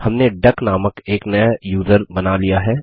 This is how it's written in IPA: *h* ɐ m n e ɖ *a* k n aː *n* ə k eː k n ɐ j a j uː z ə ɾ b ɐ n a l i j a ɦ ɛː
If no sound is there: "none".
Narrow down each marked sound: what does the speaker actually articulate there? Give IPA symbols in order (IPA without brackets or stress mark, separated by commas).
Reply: h, ɐ, m